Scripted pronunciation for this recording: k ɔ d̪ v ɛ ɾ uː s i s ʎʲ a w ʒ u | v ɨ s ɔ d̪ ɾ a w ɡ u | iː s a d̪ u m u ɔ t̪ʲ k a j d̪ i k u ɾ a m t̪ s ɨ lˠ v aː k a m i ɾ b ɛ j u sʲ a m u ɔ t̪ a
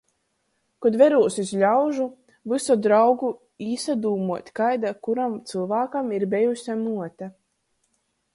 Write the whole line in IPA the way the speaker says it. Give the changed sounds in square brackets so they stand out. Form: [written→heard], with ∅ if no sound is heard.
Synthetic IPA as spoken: k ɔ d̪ v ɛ ɾ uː s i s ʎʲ a w ʒ u | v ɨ s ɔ d̪ ɾ a w ɡ u | iː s a d̪ [u→uː] m u ɔ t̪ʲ k a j d̪ [i→a] k u ɾ a m t̪ s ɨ lˠ v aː k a m i ɾ b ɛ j u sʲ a m u ɔ t̪ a